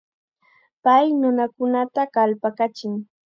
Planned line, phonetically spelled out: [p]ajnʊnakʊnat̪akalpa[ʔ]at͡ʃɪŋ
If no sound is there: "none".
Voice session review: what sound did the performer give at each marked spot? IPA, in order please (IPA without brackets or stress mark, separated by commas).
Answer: p, k